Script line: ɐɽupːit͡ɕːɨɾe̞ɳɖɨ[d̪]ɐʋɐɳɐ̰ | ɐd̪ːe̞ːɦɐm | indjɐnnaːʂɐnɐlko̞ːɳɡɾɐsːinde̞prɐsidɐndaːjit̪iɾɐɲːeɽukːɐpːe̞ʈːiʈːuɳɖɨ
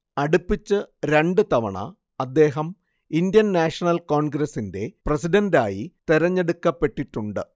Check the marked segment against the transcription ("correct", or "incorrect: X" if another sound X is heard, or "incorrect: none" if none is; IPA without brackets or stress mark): incorrect: t̪